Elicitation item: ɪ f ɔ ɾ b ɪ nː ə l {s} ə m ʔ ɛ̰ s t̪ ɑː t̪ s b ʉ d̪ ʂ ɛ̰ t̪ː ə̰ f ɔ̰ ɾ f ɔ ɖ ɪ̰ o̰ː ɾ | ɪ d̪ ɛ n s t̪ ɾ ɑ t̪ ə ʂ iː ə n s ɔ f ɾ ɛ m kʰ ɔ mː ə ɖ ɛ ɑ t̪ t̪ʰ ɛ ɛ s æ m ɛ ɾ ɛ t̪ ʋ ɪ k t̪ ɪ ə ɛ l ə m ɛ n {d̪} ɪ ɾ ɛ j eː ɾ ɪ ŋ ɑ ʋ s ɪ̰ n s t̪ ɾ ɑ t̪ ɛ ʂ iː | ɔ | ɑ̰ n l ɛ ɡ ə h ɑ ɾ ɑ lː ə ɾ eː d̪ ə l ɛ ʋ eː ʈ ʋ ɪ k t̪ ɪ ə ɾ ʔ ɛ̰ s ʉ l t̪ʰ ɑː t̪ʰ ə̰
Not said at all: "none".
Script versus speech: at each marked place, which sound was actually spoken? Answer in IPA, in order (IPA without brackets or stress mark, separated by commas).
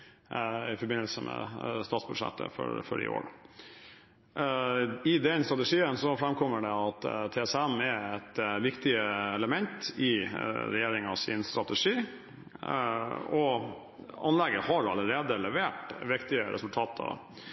s, t̪